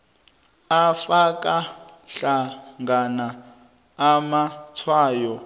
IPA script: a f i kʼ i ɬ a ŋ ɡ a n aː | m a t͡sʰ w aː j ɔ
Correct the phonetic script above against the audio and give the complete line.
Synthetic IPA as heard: a f a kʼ a ɬ a ŋ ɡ a n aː | m a t͡sʰ w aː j ɔ